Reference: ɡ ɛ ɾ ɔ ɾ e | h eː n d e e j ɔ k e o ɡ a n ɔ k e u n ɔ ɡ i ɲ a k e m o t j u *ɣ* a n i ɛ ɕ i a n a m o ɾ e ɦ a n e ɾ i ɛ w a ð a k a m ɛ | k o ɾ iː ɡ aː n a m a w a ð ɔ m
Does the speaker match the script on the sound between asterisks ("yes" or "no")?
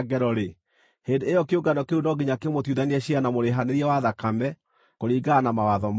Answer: no